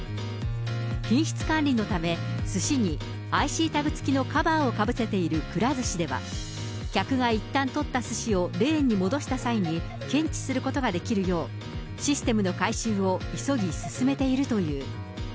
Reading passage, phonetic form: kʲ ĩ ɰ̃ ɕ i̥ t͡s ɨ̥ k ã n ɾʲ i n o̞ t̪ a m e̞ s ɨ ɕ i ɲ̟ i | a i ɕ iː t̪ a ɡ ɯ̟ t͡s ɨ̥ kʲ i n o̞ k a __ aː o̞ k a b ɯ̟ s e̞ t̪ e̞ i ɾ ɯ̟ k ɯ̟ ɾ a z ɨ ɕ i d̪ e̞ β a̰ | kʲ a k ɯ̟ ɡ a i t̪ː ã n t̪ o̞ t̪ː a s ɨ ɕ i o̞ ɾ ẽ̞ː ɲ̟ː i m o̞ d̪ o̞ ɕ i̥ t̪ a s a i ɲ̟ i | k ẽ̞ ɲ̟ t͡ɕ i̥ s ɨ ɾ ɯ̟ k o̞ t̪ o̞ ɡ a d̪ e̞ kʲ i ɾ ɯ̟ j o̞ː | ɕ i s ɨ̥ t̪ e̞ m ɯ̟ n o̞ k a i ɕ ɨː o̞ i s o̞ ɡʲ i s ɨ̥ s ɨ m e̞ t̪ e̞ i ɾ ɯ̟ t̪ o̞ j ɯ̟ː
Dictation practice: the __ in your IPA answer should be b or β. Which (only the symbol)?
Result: b